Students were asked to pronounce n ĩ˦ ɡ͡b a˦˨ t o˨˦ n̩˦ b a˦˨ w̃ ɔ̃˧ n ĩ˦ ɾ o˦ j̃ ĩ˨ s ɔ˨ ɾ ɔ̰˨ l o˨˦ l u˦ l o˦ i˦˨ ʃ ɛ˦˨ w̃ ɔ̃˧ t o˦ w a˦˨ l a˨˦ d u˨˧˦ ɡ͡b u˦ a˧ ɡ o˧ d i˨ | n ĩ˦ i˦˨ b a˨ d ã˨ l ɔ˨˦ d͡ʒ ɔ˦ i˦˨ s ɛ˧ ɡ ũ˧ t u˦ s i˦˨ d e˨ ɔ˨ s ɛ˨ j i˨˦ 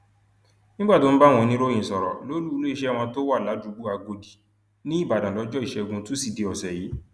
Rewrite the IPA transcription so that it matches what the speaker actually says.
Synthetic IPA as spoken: n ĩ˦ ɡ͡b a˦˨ t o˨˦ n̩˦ b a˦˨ w̃ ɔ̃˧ n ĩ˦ ɾ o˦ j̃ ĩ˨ s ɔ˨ ɾ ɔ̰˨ l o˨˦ l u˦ l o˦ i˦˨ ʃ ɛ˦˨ w̃ ɔ̃˧ t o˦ w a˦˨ l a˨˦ d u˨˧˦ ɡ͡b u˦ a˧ ɡ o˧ d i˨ | n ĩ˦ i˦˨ b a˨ d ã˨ l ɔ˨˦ d͡ʒ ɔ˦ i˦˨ ʃ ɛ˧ ɡ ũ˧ t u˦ s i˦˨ d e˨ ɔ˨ s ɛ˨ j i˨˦